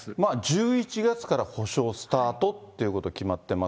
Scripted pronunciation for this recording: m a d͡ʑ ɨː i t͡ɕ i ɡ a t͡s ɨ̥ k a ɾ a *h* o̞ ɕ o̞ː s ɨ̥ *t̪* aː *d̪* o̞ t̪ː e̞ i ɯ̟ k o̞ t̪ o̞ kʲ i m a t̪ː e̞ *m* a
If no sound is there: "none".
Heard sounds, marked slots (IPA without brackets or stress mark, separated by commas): h, t̪, t̪, m